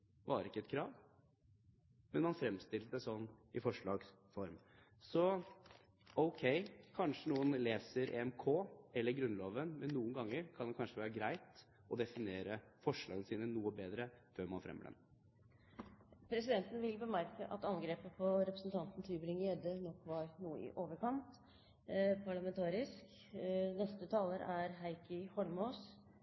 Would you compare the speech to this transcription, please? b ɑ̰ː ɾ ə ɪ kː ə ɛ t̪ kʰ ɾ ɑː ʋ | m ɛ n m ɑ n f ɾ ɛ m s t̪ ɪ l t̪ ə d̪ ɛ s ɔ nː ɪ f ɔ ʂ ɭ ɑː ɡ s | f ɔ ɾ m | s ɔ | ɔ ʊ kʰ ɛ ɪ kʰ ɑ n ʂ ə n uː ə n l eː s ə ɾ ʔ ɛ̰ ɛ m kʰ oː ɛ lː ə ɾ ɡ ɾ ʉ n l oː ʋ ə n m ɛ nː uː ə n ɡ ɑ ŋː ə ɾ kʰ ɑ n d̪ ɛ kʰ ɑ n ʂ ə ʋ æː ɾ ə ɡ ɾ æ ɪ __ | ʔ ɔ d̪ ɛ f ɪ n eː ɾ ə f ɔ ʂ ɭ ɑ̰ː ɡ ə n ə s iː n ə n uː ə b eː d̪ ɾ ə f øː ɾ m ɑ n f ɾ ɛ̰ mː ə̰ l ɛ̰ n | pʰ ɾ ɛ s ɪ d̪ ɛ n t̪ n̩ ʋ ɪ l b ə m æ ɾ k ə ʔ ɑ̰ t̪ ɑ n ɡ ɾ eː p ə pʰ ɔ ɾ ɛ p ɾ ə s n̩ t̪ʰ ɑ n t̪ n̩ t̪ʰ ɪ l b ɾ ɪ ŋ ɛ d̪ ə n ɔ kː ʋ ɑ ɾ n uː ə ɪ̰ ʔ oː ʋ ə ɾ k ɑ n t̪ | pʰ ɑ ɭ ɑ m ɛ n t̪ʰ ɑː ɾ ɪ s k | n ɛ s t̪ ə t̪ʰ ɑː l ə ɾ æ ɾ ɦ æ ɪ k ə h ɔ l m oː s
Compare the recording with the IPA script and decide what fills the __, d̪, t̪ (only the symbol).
t̪